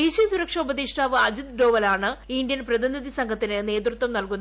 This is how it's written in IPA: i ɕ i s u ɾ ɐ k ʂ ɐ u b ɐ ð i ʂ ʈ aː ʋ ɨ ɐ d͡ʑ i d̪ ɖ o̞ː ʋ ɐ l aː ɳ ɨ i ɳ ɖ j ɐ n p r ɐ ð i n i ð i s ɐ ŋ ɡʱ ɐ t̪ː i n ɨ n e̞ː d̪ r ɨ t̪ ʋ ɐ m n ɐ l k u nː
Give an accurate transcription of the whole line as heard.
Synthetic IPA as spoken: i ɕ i s u ɾ ɐ k ʂ ɐ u b ɐ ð i ʂ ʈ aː ʋ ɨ ɐ d͡ʑ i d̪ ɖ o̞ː ʋ ɐ l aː ɳ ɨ i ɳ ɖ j ɐ n p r ɐ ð i n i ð i s ɐ ŋ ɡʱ ɐ t̪ː i n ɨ n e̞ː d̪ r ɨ t̪ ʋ ɐ m n ɐ l k u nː